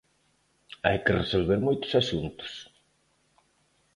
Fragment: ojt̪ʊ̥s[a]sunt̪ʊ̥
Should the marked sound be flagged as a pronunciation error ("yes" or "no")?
no